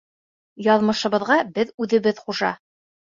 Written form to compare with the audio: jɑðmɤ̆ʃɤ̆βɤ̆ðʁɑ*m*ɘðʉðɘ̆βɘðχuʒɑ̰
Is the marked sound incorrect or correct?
incorrect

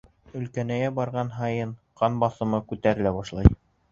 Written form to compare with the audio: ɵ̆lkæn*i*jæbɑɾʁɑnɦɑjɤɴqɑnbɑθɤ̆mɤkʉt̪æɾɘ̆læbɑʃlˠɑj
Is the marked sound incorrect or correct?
incorrect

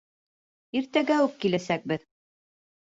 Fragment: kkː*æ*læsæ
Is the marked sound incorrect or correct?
incorrect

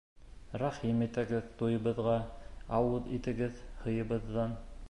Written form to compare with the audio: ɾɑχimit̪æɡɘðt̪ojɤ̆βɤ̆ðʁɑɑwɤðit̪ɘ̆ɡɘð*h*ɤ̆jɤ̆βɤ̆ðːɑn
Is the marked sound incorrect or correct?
correct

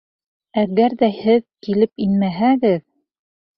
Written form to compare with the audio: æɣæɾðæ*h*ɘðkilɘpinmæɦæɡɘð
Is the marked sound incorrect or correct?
correct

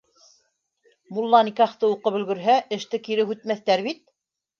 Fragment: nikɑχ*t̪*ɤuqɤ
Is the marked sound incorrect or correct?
correct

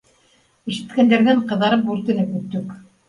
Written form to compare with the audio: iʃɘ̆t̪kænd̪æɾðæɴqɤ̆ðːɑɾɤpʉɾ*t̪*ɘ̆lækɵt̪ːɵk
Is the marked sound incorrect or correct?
correct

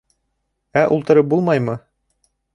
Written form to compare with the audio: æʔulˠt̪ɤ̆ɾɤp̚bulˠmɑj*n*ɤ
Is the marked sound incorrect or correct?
incorrect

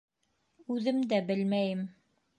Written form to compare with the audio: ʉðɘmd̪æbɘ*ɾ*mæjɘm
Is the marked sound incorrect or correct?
incorrect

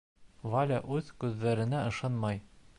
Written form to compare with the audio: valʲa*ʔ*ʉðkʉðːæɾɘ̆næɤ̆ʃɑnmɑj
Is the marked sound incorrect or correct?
correct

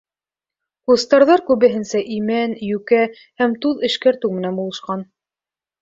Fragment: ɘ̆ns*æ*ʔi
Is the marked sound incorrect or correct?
correct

